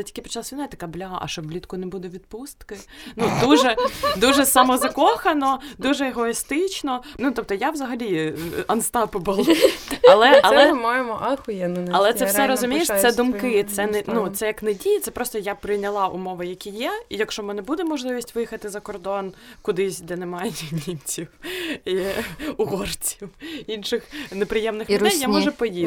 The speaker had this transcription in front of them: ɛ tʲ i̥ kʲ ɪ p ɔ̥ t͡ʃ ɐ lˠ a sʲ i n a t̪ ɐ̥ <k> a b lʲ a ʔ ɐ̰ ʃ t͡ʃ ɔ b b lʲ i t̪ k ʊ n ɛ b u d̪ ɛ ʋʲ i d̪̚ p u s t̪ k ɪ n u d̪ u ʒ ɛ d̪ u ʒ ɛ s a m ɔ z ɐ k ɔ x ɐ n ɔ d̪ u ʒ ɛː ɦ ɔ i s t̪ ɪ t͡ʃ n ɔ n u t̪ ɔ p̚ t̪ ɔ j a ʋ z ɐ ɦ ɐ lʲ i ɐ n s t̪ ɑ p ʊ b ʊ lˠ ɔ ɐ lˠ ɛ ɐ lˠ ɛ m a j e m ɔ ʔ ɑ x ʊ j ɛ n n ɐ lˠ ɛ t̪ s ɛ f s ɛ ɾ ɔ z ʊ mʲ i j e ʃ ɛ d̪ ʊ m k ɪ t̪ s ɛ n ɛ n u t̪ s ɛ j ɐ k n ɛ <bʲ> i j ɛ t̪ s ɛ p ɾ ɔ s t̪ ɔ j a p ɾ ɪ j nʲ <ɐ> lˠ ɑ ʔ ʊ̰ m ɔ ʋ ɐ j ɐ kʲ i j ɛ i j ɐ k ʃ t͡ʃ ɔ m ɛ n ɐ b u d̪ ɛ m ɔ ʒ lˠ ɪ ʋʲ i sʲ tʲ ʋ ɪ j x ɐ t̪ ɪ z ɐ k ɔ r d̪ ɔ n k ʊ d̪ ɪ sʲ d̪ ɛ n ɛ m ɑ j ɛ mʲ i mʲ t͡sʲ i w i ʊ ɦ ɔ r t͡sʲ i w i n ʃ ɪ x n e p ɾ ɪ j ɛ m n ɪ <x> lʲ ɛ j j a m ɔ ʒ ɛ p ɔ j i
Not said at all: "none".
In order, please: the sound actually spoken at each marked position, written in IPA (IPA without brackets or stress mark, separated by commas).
k, dʲ, ɐ, x